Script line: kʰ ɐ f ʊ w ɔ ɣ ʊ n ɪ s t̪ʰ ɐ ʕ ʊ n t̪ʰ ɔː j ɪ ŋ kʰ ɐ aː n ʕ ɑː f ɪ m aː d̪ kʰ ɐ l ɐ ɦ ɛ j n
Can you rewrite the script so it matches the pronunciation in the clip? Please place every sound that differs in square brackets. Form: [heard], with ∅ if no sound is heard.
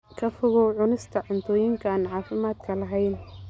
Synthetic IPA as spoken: kʰ ɐ f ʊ [ɣ] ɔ [ʕ] ʊ n ɪ s t̪ʰ ɐ ʕ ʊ n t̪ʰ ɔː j ɪ ŋ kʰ ɐ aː n ʕ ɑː f ɪ m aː d̪ kʰ ɐ l ɐ ɦ ɛ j n